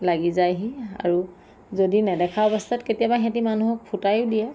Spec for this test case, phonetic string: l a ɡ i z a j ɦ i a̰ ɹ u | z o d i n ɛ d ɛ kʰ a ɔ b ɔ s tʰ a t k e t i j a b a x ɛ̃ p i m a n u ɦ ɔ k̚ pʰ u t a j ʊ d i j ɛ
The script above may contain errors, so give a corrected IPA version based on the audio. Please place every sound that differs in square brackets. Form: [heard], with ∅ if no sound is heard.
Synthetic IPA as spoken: l a ɡ i z a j ɦ i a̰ ɹ u | z o d i n ɛ d ɛ kʰ a ɔ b ɔ s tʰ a t k e t i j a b a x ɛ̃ [t] i m a n u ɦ ɔ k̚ pʰ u t a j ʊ d i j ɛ